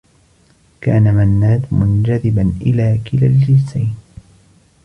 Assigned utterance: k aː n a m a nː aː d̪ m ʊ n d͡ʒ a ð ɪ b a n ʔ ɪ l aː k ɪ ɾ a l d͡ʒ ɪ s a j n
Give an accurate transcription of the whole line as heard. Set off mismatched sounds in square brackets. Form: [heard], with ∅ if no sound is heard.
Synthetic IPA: k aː n a m a nː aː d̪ m ʊ n d͡ʒ a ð ɪ b a n ʔ ɪ l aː k ɪ [l] a l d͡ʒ ɪ s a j n